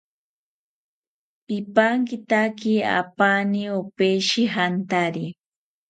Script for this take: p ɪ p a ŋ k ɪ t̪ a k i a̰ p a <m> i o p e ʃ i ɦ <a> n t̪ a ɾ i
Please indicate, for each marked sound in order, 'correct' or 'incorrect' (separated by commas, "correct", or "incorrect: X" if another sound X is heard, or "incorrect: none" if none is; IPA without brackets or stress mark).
incorrect: n, correct